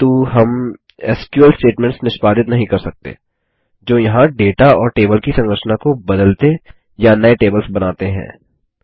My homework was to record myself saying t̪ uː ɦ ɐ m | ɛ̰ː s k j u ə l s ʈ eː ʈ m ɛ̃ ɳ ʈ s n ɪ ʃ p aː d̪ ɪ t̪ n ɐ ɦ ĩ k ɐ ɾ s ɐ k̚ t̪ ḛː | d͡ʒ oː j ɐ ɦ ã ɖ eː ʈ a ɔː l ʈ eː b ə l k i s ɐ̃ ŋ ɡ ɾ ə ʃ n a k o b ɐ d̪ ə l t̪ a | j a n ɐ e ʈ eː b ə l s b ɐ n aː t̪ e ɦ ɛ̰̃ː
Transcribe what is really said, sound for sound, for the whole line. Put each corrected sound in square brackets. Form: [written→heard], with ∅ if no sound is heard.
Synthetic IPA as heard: t̪ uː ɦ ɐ m | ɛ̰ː s k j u ə l s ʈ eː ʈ m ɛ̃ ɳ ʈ s n ɪ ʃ p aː d̪ ɪ t̪ n ɐ ɦ ĩ k ɐ ɾ s ɐ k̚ t̪ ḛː | d͡ʒ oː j ɐ ɦ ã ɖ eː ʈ a ɔː [l→ɾ] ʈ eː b ə l k i s ɐ̃ ŋ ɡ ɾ ə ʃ n a k o b ɐ d̪ ə l t̪ [a→e] | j a n ɐ e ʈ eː b ə l s b ɐ n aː t̪ e ɦ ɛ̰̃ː